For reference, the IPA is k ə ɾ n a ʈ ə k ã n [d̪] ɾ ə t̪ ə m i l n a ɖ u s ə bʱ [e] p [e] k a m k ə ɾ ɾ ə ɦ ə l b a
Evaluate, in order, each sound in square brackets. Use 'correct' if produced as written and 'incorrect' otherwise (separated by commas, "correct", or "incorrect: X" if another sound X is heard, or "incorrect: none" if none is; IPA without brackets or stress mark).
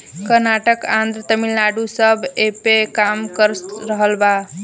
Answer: correct, correct, correct